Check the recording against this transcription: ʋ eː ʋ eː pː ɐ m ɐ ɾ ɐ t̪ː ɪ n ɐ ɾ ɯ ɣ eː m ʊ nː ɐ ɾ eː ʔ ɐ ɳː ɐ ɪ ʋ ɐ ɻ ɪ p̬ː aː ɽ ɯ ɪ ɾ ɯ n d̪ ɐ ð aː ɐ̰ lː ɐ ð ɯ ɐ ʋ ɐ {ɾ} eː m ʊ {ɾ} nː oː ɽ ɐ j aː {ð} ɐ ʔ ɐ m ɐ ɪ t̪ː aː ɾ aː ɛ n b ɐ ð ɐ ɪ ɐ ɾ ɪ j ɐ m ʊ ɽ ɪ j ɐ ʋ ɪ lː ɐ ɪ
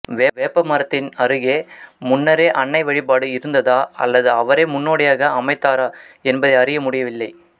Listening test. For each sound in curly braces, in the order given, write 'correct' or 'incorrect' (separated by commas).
correct, incorrect, incorrect